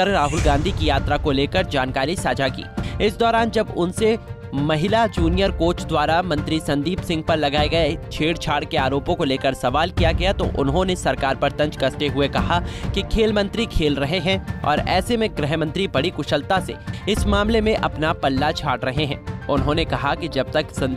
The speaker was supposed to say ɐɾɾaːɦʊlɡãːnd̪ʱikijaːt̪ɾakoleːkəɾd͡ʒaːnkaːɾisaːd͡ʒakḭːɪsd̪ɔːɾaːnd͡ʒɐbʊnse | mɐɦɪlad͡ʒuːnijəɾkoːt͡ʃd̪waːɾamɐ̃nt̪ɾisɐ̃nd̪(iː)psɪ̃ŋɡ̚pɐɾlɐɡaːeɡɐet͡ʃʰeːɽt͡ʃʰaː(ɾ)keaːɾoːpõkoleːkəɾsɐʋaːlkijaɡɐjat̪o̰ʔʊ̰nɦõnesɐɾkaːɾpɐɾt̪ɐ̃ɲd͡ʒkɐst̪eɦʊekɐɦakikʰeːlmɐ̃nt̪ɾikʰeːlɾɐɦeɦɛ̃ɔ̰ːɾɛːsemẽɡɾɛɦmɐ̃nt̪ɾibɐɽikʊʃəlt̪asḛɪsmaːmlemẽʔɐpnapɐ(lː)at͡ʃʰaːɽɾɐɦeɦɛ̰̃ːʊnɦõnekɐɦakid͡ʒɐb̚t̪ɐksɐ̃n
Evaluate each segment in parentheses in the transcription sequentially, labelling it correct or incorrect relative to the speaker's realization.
correct, incorrect: ɽ, correct

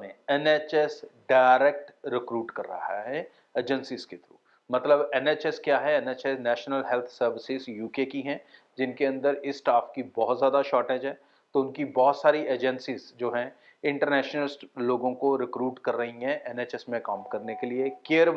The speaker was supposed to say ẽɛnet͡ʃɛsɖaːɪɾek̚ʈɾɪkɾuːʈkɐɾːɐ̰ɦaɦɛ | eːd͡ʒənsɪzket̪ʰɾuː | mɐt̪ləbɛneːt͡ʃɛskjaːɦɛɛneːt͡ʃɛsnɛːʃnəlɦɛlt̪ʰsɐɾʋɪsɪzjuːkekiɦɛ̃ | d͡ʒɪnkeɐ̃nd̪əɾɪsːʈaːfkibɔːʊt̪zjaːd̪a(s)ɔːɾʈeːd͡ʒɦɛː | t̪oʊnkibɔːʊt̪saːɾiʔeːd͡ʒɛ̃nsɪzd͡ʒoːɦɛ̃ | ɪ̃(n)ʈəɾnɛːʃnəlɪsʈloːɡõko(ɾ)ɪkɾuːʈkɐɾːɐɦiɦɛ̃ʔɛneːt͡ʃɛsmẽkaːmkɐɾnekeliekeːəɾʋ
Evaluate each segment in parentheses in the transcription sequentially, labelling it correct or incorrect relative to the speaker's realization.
incorrect: ʃ, incorrect: ɳ, correct

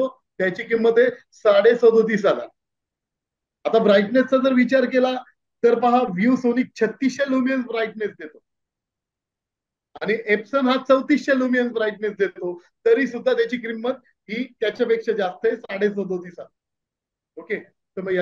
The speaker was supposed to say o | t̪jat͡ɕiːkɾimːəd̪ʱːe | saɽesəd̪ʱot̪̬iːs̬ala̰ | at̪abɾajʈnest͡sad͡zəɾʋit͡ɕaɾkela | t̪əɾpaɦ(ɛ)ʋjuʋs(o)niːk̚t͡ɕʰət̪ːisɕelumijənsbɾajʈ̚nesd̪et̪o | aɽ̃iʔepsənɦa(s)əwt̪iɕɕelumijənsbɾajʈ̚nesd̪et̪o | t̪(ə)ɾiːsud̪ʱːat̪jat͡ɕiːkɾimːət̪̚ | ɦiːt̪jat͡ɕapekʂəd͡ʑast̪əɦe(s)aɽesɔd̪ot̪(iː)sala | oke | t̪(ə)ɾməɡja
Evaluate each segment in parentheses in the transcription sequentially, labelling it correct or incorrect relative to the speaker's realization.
incorrect: a, correct, incorrect: t͡s, correct, correct, correct, correct

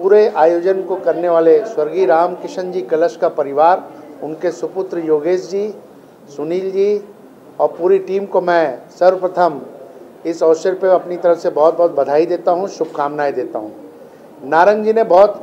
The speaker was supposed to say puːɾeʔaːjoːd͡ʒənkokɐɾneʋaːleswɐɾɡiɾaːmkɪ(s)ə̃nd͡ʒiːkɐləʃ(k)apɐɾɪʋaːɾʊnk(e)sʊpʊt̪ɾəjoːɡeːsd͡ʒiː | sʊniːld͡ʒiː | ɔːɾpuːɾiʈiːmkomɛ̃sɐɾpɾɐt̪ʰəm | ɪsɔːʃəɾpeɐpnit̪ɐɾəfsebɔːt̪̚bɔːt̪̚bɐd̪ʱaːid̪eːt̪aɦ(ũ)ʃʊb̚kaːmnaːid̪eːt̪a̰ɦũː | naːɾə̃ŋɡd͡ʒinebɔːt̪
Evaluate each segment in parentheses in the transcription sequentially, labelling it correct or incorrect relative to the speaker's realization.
incorrect: ʃ, correct, correct, correct

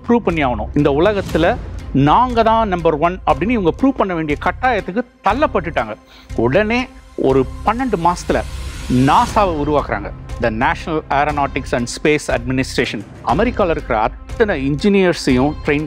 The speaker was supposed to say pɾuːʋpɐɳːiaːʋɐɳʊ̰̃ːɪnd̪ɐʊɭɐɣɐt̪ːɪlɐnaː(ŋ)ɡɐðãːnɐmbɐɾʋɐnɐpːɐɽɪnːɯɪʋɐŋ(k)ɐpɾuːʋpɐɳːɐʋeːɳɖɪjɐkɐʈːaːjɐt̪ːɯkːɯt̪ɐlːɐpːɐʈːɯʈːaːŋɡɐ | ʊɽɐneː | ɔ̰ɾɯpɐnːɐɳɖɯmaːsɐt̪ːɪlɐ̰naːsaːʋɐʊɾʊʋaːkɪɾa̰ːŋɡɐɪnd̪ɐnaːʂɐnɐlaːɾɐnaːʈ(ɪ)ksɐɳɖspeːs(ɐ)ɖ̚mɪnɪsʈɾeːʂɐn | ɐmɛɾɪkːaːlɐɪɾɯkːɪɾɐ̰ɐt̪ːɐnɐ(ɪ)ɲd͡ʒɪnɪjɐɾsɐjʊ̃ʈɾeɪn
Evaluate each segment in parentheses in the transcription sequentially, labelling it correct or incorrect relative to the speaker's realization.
correct, incorrect: ɡ, correct, correct, correct

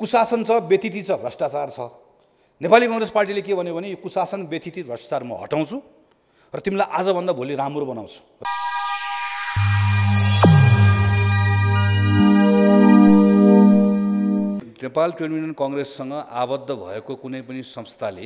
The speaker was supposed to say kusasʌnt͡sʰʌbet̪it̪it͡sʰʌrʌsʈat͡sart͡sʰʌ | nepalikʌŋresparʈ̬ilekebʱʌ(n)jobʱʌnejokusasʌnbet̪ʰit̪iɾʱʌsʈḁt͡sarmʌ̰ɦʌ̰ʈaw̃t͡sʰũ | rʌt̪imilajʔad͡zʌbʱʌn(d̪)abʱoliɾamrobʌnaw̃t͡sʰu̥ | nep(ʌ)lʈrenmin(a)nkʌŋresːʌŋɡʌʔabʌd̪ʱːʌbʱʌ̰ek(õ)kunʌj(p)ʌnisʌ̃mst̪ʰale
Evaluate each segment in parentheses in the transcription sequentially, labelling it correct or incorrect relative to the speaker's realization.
correct, correct, incorrect: a, incorrect: ʌ, incorrect: o, correct

